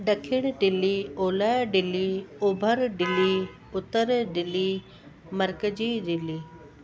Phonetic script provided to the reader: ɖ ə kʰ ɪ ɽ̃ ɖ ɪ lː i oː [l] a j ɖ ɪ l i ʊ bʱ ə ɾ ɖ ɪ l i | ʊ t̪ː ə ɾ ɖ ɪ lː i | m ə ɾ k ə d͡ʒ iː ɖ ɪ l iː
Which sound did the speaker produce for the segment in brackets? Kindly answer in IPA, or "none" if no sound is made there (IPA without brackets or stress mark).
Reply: l